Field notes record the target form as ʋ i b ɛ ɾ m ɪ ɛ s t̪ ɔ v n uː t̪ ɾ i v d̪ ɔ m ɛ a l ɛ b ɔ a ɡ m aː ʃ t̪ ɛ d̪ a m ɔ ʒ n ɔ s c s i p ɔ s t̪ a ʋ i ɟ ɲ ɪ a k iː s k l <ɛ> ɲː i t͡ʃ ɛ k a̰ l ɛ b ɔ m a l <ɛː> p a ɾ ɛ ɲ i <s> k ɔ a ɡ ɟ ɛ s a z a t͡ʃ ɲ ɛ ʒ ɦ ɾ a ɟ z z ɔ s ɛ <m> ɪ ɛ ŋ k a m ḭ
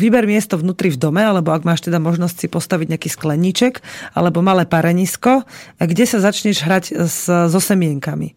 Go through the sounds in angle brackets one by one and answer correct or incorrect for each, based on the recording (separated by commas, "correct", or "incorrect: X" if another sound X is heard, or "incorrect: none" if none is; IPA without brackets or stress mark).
correct, correct, correct, correct